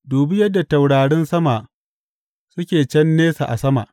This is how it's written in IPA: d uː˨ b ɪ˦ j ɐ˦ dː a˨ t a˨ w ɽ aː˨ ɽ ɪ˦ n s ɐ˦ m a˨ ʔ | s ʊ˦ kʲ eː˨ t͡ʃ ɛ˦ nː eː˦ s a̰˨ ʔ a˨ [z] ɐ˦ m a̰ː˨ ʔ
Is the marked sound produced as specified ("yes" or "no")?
no